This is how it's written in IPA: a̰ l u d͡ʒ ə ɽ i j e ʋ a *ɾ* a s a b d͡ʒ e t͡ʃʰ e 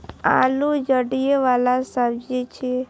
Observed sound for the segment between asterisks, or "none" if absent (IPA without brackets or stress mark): l